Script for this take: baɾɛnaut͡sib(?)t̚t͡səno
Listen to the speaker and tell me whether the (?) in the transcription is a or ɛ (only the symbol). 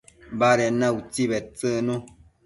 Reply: ɛ